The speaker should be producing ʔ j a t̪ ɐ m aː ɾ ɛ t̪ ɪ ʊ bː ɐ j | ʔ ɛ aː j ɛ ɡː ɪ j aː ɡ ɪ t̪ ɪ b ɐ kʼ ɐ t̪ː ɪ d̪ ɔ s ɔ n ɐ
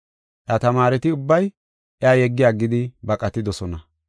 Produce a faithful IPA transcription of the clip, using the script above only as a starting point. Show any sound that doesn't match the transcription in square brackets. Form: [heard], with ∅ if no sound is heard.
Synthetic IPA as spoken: ʔ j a t̪ ɐ m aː ɾ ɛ t̪ ɪ ʊ bː ɐ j | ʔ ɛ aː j ɛ ɡː ɪ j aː ɡ ɪ [d̪] ɪ b ɐ kʼ ɐ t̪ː ɪ d̪ ɔ s ɔ n ɐ